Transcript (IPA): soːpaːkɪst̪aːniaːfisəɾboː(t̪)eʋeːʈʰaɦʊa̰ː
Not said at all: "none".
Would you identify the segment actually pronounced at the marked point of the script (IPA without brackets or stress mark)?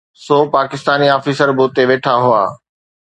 t̪